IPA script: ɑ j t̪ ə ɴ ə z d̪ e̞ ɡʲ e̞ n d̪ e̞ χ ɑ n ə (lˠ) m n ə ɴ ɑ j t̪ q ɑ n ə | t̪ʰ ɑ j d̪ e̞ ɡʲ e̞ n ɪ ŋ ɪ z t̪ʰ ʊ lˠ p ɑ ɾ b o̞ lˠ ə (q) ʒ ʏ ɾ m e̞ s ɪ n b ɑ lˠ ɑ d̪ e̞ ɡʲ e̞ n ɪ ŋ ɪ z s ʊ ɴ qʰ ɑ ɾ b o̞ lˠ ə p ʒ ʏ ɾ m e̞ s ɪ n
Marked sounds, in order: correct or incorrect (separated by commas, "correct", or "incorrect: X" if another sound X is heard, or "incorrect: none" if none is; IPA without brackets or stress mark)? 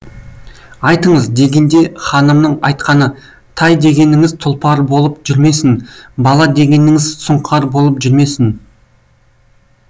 incorrect: none, incorrect: p